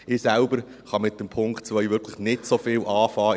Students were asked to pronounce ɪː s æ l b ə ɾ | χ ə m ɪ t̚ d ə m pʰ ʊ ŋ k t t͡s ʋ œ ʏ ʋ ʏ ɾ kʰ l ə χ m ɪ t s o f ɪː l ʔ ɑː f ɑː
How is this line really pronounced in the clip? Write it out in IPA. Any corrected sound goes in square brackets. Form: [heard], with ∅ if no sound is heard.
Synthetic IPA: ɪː s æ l b ə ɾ | χ [ɑ] m ɪ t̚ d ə m pʰ ʊ ŋ k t t͡s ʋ œ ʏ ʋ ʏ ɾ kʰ l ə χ [n] ɪ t s o f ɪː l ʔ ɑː f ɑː